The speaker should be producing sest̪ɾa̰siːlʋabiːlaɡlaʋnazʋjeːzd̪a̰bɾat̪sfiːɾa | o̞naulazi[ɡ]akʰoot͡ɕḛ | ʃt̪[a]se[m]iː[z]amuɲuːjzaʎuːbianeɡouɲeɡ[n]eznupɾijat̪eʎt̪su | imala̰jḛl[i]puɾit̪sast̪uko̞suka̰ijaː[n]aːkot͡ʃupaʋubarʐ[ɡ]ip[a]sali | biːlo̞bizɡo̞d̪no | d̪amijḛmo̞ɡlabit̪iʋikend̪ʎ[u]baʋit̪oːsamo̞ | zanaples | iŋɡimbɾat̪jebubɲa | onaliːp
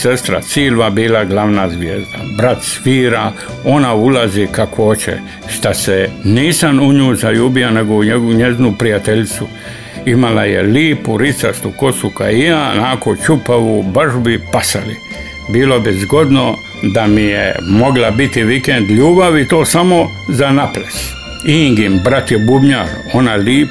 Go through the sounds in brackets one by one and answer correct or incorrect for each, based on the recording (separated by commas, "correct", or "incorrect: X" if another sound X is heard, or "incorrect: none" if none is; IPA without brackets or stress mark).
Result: incorrect: k, correct, incorrect: n, incorrect: s, incorrect: ɲ, incorrect: iː, correct, incorrect: b, correct, incorrect: uː